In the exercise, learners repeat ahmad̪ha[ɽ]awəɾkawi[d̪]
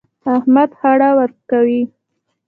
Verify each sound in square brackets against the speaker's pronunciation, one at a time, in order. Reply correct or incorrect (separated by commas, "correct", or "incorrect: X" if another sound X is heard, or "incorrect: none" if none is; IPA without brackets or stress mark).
correct, incorrect: none